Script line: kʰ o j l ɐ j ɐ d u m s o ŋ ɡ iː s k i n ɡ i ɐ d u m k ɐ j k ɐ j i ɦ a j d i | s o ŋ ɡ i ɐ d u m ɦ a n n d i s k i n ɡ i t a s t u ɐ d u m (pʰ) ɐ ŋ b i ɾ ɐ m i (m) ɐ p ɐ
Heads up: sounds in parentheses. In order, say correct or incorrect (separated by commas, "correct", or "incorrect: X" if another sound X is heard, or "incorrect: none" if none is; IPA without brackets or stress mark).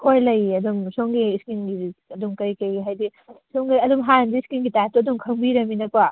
incorrect: kʰ, incorrect: n